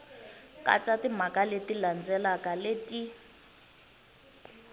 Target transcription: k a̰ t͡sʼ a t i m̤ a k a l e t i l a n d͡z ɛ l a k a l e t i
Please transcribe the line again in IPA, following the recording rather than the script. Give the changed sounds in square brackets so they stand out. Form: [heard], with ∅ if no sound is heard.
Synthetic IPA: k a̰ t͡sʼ a t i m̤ a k a l e t i l a n d͡z ɛ l a k a l e t i